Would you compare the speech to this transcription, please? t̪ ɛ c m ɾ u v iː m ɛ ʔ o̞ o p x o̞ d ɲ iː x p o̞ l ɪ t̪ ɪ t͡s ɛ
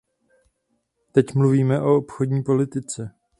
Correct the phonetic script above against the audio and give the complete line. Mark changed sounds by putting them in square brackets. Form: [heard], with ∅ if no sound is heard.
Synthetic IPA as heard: t̪ ɛ c m [l] u v iː m ɛ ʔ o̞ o p x o̞ d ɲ iː [∅] p o̞ l ɪ t̪ ɪ t͡s ɛ

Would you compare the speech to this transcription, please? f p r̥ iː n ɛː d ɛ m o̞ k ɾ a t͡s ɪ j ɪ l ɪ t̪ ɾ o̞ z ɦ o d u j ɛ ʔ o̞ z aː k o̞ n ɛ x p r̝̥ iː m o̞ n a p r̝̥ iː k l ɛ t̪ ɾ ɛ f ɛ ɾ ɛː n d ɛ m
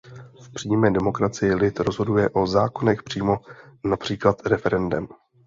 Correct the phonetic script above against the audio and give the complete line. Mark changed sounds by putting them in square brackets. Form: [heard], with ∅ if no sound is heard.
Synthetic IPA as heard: f p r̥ iː [m] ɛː d ɛ m o̞ k ɾ a t͡s ɪ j ɪ l ɪ t̪ ɾ o̞ z ɦ o d u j ɛ ʔ o̞ z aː k o̞ n ɛ x p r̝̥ iː m o̞ n a p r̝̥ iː k l [a] t̪ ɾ ɛ f ɛ ɾ [ɛ] n d ɛ m

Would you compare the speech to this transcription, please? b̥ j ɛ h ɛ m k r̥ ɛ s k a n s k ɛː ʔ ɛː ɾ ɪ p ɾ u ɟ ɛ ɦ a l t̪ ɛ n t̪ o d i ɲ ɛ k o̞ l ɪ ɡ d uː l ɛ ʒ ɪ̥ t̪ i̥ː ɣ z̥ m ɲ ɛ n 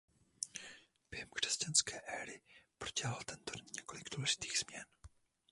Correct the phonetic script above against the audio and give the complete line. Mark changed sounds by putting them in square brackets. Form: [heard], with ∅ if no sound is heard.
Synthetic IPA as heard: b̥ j ɛ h ɛ m k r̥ ɛ s [c] a n s k ɛː ʔ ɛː ɾ ɪ p ɾ [o] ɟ ɛ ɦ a l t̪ ɛ n t̪ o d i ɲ ɛ k o̞ l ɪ ɡ d uː l ɛ ʒ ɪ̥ t̪ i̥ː ɣ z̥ m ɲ ɛ n

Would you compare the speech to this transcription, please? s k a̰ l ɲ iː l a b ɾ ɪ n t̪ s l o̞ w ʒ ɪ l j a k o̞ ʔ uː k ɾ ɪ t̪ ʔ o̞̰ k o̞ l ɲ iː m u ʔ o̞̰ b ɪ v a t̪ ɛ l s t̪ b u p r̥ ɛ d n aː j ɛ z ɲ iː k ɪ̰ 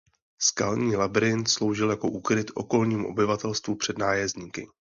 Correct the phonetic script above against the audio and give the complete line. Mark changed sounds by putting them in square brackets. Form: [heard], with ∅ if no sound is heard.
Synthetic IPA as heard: s k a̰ l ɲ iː l a b ɾ ɪ n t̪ s l o̞ w ʒ ɪ l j a k o̞ ʔ uː k ɾ ɪ t̪ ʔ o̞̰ k o̞ l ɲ iː m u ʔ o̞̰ b ɪ v a t̪ ɛ l s t̪ [v] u p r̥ ɛ d n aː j ɛ z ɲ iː k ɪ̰

